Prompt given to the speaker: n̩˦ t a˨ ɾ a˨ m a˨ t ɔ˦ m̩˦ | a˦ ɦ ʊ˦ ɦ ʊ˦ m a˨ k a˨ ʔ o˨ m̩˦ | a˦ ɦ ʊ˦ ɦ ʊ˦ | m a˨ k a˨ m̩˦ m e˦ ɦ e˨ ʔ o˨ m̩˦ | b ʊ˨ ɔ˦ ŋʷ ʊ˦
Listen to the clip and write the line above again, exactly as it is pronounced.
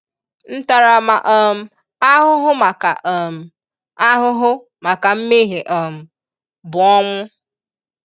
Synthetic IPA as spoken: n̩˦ t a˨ ɾ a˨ m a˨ ʔ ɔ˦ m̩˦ | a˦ ɦ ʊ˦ ɦ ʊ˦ m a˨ k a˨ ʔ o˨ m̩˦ | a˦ ɦ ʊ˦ ɦ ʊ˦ | m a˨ k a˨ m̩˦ m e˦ ɦ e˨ ʔ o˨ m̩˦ | b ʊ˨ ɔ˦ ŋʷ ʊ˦